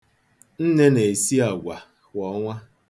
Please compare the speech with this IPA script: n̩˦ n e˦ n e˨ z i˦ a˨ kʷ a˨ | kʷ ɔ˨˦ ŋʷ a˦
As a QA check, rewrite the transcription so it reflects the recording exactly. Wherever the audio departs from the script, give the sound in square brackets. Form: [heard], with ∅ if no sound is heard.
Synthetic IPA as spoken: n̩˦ n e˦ n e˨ [s] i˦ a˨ [ɡʷ] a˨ | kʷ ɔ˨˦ ŋʷ a˦